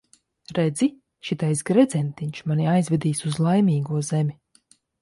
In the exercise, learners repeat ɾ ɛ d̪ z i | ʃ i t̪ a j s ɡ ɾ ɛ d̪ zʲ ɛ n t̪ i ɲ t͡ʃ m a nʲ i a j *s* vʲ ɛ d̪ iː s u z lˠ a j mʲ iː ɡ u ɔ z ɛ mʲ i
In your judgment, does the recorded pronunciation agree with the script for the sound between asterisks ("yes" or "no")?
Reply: no